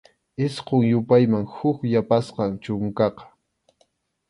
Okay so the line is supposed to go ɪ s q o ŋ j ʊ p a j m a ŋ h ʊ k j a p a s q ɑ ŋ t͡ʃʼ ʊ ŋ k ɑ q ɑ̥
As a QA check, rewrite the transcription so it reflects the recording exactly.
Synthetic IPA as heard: ɪ s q o ŋ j ʊ p a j m a ŋ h ʊ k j a p a s q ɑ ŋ t͡ʃ ʊ ŋ k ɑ q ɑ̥